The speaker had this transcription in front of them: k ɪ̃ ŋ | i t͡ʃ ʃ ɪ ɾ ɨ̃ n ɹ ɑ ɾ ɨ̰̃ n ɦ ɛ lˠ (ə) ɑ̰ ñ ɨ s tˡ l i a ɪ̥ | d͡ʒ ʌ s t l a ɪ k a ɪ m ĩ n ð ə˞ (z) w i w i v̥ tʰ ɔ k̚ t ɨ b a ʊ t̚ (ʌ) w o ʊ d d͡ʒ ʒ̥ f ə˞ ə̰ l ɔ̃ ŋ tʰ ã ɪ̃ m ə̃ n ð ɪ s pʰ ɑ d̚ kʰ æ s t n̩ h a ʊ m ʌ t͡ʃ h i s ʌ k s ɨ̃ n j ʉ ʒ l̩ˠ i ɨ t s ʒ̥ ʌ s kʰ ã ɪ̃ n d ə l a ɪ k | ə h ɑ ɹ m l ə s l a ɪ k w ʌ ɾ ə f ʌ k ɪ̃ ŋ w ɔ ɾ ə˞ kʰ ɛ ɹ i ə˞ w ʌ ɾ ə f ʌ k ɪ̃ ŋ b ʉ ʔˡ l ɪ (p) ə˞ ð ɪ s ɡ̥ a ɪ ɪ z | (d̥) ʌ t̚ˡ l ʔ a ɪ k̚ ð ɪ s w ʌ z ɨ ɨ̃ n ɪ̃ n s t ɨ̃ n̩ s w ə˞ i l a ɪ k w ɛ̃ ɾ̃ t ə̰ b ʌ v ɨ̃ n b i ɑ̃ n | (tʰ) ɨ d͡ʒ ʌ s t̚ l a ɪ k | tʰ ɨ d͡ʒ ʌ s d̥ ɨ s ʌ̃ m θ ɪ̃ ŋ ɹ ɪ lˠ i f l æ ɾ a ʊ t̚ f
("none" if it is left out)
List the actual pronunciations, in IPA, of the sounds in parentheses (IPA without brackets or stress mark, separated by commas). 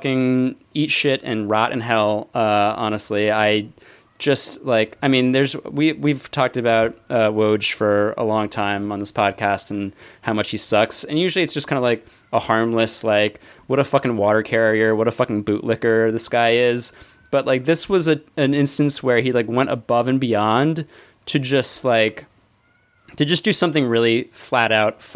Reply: ʌ, z, ʌ, k, b̥, tʰ